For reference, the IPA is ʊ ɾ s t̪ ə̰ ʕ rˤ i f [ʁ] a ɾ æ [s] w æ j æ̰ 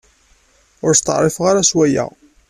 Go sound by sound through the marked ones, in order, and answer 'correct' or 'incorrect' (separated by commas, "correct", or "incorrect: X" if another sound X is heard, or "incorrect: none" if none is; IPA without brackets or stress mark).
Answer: correct, correct